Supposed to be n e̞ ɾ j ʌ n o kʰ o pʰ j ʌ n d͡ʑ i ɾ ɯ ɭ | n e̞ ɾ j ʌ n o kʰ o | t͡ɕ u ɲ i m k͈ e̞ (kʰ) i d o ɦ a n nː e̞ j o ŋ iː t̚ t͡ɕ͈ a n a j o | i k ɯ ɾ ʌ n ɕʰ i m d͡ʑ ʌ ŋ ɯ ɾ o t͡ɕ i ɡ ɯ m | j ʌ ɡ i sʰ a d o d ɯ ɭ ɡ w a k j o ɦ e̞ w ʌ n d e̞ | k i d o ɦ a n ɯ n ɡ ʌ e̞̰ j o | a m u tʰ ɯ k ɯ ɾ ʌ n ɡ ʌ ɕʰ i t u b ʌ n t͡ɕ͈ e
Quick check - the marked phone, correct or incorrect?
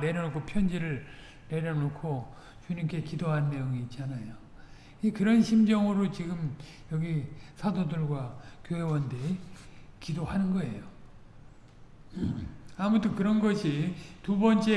incorrect